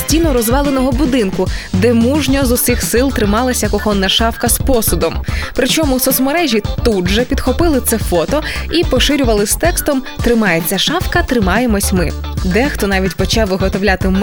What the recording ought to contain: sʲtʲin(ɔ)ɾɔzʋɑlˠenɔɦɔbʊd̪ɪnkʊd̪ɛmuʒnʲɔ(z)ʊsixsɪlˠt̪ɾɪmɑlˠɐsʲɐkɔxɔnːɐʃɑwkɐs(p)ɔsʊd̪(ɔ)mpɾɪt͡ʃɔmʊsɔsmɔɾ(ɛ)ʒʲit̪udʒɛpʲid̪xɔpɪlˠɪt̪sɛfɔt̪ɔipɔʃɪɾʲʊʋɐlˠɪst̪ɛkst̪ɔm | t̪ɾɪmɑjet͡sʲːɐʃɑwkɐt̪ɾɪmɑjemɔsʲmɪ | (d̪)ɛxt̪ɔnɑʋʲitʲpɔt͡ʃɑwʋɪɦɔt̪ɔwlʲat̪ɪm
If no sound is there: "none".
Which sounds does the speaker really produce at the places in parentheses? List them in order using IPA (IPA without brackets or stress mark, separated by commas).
ɔ, z, p, ɔ, ɛ, d̪